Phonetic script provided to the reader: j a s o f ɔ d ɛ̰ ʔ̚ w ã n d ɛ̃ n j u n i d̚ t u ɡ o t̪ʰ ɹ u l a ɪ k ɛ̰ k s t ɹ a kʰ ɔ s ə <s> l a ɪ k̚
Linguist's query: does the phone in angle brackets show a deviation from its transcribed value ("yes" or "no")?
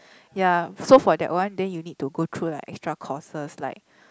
no